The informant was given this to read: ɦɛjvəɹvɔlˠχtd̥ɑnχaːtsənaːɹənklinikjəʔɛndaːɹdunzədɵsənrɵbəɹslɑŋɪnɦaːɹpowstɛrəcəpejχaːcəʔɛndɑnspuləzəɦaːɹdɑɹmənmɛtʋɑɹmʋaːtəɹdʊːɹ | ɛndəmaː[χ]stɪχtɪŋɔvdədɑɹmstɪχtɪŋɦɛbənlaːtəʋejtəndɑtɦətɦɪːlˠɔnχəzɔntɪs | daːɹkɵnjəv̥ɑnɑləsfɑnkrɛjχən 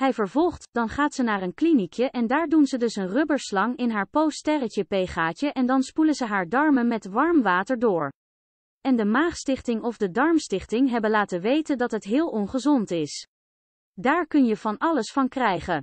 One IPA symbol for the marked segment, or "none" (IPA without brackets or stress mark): χ